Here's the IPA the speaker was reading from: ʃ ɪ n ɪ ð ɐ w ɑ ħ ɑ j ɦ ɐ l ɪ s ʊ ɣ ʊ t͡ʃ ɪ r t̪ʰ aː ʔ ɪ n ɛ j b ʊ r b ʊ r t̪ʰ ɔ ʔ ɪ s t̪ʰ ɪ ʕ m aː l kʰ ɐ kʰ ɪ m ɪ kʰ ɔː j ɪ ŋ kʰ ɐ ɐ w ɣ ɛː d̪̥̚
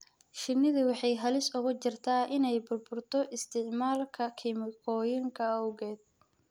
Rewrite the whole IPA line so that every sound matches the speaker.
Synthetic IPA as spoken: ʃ ɪ n ɪ ð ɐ w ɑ ħ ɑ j ɦ ɐ l ɪ s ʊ ɣ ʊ t͡ʃ ɪ r t̪ʰ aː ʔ ɪ n ɛ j b ʊ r b ʊ r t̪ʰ ɔ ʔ ɪ s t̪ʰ ɪ ʕ m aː l kʰ ɐ kʰ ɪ m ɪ kʰ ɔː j ɪ ŋ kʰ ɐ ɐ w ɣ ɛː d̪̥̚

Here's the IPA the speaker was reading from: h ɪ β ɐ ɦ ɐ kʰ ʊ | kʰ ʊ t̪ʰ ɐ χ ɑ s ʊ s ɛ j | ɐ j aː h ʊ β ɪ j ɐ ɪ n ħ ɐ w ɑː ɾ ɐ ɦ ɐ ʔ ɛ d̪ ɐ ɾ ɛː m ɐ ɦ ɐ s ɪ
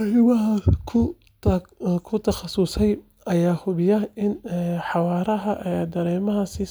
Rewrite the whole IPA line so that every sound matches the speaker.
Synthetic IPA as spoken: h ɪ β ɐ ɦ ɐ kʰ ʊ | kʰ ʊ t̪ʰ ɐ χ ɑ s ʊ s ɛ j | ɐ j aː h ʊ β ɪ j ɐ ɪ n ħ ɑ w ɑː ɾ ɐ ɦ ɐ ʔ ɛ d̪ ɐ ɾ ɛː m ɐ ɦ ɐ s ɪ

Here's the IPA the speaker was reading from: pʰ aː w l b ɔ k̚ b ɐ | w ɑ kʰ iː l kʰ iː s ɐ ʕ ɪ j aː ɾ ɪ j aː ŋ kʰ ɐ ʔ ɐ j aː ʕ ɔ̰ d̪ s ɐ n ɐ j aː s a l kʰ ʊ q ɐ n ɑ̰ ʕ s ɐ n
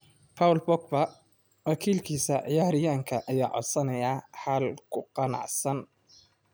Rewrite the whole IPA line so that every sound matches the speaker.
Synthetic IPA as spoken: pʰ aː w l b ɔ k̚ b ɐ | w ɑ kʰ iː l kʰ iː s ɐ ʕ ɪ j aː ɾ ɪ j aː ŋ kʰ ɐ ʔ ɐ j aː ʕ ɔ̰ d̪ s ɐ n ɐ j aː ħ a l kʰ ʊ q ɑ n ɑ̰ ʕ s ɐ n

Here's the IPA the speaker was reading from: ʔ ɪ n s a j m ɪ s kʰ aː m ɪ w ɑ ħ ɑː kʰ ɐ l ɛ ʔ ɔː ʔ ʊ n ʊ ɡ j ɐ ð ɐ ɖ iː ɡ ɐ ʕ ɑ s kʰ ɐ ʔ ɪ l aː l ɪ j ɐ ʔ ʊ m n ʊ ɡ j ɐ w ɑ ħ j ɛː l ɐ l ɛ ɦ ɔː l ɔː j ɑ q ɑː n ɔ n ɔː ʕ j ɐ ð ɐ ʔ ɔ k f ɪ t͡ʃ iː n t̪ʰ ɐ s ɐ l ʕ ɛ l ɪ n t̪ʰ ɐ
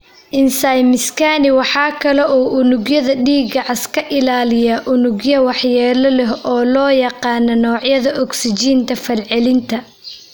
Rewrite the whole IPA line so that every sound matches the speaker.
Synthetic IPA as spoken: ʔ ɪ n s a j m ɪ s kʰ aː n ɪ w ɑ ħ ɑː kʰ ɐ l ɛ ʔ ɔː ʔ ʊ n ʊ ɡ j ɐ ð ɐ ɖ iː ɡ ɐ ʕ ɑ s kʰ ɐ ʔ ɪ l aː l ɪ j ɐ ʔ ʊ n ʊ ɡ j ɐ w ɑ ħ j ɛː l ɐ l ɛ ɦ ɔː l ɔː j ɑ q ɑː n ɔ n ɔː ʕ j ɐ ð ɐ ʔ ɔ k s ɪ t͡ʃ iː n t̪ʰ ɐ f ɐ l ʕ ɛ l ɪ n t̪ʰ ɐ

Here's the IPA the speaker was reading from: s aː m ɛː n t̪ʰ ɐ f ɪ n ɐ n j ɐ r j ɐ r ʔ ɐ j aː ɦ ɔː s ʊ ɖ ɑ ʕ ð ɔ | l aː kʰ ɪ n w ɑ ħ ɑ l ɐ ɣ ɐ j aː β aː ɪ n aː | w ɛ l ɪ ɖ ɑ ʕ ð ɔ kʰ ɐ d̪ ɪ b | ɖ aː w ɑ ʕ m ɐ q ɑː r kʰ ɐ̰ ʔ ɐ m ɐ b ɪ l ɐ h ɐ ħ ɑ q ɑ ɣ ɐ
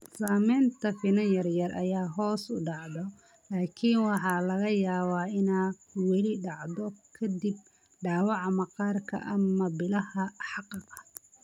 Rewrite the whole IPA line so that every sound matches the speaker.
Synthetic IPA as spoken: s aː m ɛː n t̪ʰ ɐ f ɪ n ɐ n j ɐ r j ɐ r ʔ ɐ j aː ɦ ɔː s ʊ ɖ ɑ ʕ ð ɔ | l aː kʰ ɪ n w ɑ ħ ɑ l ɐ ɣ ɐ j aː β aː ɪ n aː | w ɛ l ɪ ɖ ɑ ʕ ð ɔ kʰ ɐ d̪ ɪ b | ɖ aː w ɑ ʕ m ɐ q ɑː r kʰ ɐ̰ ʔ ɐ m ɐ b ɪ l ɐ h ɐ ħ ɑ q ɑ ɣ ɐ

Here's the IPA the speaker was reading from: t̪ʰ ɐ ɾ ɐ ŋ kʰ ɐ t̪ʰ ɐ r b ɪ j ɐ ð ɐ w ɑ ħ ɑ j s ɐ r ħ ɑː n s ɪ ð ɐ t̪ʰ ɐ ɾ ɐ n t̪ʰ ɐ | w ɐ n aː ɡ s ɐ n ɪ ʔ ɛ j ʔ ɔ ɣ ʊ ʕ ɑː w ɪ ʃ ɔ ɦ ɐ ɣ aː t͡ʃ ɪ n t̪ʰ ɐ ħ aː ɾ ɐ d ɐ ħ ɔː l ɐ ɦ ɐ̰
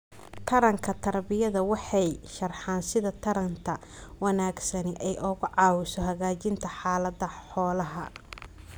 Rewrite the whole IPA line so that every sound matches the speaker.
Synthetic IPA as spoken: t̪ʰ ɐ ɾ ɐ ŋ kʰ ɐ t̪ʰ ɐ r b ɪ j ɐ ð ɐ w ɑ ħ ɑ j ʃ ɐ r ħ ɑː n s ɪ ð ɐ t̪ʰ ɐ ɾ ɐ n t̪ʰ ɐ | w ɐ n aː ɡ s ɐ n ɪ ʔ ɛ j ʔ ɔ ɣ ʊ ʕ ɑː w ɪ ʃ ɔ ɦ ɐ ɣ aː t͡ʃ ɪ n t̪ʰ ɐ ħ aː l ɐ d ɐ ħ ɔː l ɐ ɦ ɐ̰

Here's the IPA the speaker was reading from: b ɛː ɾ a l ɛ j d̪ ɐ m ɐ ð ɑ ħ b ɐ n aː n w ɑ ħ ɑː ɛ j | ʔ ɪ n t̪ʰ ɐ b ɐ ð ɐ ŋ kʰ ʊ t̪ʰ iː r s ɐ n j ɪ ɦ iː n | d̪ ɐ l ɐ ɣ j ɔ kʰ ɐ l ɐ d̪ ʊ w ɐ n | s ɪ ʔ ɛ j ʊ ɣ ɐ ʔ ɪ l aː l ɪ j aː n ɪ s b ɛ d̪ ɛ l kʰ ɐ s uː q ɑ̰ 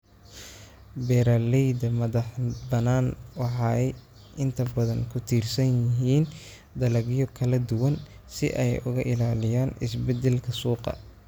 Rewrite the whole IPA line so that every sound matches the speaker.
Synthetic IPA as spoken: b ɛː ɾ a l ɛ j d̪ ɐ m ɐ ð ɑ ħ b ɐ n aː n w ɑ ħ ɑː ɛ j | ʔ ɪ n t̪ʰ ɐ b ɐ ð ɐ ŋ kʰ ʊ t̪ʰ iː r s ɐ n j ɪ ɦ iː n | d̪ ɐ l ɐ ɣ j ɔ kʰ ɐ l ɐ d̪ ʊ w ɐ n | s ɪ ʔ ɛ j ʊ ɣ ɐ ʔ ɪ l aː l ɪ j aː n ɪ s b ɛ d̪ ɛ l kʰ ɐ s uː q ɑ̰

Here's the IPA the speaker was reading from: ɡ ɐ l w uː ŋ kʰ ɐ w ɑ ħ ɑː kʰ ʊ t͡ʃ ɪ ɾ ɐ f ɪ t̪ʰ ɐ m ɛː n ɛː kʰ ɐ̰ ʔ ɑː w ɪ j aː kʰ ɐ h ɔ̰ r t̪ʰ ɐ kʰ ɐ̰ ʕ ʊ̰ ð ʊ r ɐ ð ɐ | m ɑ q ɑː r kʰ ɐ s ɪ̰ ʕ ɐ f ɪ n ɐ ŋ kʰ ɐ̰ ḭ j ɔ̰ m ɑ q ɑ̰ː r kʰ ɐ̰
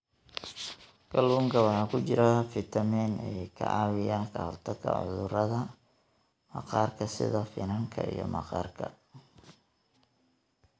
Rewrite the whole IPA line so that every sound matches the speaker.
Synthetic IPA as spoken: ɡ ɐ l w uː ŋ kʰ ɐ w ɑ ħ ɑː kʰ ʊ t͡ʃ ɪ ɾ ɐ f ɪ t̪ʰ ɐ m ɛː n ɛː kʰ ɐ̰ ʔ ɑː w ɪ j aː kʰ ɐ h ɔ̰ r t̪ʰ ɐ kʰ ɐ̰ ʕ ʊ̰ ð ʊ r ɐ ð ɐ | m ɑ q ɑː r kʰ ɐ s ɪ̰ ð ɐ f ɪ n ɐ ŋ kʰ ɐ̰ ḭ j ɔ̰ m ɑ q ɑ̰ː r kʰ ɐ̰

